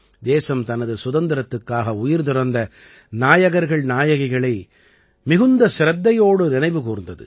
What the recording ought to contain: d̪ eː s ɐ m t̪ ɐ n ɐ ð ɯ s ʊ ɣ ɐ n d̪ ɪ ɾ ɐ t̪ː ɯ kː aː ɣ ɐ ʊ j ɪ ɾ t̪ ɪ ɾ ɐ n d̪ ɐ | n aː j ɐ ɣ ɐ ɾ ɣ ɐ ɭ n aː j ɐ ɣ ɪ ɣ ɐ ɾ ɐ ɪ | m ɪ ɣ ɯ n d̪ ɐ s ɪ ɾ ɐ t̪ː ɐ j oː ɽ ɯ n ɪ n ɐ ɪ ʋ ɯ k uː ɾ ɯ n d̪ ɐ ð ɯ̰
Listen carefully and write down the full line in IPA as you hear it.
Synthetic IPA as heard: d̪ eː s ɐ m t̪ ɐ n ɐ ð ɯ s ʊ ð ɐ n d̪ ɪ ɾ ɐ t̪ː ɯ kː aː ɣ ɐ ʊ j ɪ ɾ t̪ ɪ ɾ ɐ n d̪ ɐ | n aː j ɐ ɣ ɐ ɾ ɣ ɐ ɭ n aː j ɐ ɣ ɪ ɣ ɐ ɭ ɐ ɪ | m ɪ ɣ ɯ n d̪ ɐ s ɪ ɾ ɐ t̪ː ɐ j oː ɽ ɯ n ɪ n ɐ ɪ ʋ ɯ k uː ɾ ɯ n d̪ ɐ ð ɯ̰